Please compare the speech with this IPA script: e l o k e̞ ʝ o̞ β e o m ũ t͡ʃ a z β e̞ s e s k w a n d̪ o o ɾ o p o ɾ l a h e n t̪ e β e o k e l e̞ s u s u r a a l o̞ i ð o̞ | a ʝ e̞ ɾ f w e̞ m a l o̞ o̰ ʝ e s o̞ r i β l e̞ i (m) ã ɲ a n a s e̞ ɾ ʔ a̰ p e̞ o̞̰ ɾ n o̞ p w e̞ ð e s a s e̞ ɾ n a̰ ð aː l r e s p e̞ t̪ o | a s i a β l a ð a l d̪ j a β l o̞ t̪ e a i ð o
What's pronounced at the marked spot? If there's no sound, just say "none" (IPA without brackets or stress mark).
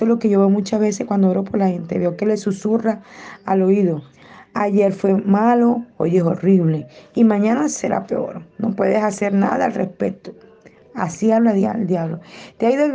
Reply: m